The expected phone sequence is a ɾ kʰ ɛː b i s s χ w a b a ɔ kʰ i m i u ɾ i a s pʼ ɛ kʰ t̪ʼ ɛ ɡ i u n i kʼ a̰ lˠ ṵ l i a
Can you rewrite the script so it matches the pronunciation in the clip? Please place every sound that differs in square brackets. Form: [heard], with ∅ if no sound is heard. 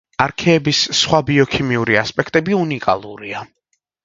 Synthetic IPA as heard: a ɾ kʰ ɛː b i s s χ w a b [i] ɔ kʰ i m i u ɾ i a s pʼ ɛ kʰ t̪ʼ ɛ [b] i u n i kʼ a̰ lˠ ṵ [ɾ] i a